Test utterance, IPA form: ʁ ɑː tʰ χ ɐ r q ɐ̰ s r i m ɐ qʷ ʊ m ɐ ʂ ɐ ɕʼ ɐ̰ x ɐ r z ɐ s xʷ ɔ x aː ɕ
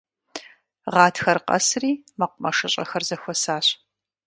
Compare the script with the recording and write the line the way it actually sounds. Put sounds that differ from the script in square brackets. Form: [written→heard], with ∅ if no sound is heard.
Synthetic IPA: ʁ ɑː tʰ [χ→x] ɐ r q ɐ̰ s r [i→iː] m ɐ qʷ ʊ m ɐ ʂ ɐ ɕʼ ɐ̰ x ɐ r z ɐ [s→∅] xʷ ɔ [x→s] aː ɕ

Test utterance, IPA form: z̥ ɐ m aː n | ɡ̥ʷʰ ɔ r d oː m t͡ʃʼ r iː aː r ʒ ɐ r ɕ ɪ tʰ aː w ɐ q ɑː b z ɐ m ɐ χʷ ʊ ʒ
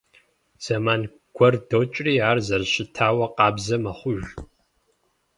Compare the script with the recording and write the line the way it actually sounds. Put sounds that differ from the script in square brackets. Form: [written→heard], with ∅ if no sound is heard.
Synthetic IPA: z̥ ɐ m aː n | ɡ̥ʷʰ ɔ r d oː [m→∅] t͡ʃʼ r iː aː r [ʒ→z] ɐ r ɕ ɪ tʰ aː w ɐ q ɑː b z ɐ m ɐ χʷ ʊ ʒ

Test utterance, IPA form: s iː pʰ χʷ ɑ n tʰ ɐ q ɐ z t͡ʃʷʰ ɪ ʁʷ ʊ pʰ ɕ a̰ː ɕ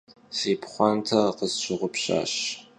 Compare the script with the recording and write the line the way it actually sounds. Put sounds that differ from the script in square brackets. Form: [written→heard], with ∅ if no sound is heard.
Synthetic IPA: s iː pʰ χʷ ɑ n tʰ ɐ q [ɐ→ə] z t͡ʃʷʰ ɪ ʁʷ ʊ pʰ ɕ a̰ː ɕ

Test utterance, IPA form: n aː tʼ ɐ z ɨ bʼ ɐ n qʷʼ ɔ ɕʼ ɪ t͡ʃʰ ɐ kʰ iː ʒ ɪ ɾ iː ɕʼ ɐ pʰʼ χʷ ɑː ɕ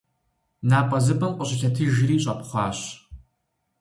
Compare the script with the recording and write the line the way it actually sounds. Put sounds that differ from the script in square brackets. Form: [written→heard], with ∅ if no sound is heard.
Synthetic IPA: n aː [tʼ→pʼ] ɐ z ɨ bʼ ɐ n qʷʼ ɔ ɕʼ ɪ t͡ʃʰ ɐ [kʰ→tʰ] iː ʒ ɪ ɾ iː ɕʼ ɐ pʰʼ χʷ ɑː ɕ

